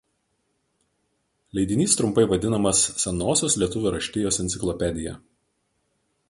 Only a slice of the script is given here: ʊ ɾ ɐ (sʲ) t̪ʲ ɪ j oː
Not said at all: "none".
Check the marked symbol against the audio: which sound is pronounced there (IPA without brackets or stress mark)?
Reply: ʃʲ